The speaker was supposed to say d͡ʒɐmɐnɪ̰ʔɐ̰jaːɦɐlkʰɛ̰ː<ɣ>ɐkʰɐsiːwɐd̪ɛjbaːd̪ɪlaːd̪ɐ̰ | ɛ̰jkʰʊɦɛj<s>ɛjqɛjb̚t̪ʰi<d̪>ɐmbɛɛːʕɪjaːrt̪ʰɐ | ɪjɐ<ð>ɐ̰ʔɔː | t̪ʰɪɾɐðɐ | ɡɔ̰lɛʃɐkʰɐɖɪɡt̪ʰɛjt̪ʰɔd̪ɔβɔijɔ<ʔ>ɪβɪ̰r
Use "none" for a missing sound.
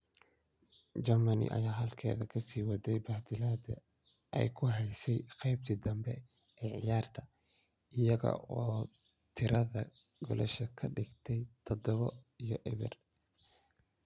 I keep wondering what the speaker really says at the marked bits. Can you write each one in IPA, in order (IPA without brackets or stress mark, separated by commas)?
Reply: ð, s, d̪, ɣ, ʔ